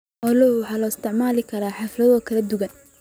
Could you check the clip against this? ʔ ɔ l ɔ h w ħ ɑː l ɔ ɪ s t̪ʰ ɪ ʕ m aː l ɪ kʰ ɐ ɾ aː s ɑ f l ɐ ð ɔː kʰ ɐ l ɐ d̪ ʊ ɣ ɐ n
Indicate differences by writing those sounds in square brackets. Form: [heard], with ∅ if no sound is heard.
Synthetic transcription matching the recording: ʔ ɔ l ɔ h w ħ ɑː l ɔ ɪ s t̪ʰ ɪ ʕ m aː l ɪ kʰ ɐ ɾ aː [ħ] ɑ f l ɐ ð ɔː kʰ ɐ l ɐ d̪ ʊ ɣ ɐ n